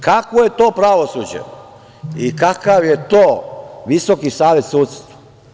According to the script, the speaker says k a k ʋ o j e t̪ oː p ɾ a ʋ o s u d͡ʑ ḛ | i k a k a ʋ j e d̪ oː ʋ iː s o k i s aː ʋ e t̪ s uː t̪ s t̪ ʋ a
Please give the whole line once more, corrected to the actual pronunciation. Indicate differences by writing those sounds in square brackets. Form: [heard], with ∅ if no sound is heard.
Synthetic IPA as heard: k a k ʋ o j e t̪ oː p ɾ a ʋ o s u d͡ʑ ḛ | i k a k a ʋ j e [t̪] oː ʋ [i] s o k i s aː ʋ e t̪ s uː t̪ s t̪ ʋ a